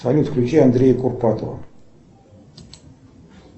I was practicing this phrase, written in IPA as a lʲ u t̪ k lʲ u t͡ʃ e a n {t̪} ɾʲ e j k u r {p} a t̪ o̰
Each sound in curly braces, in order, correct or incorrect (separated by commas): incorrect, correct